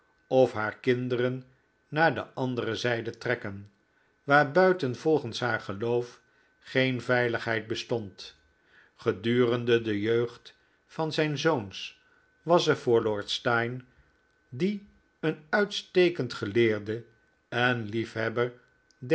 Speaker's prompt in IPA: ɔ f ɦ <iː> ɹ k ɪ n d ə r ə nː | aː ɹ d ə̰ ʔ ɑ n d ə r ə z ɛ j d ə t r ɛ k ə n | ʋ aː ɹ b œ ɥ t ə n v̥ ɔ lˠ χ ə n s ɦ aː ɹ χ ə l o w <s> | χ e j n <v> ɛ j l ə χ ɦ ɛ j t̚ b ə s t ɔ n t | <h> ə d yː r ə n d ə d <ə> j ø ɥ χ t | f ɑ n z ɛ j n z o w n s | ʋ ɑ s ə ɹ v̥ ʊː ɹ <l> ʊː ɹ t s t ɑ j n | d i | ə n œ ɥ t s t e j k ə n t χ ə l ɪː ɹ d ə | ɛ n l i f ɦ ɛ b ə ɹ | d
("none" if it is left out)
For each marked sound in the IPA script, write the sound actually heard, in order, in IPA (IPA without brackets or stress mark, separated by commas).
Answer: aː, f, v, χ, ə, l